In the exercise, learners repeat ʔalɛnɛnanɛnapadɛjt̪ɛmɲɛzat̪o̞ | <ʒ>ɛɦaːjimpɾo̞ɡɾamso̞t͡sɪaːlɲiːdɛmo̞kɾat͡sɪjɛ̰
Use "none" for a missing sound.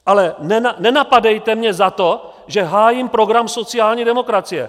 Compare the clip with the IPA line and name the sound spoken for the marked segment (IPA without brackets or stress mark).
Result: ʒ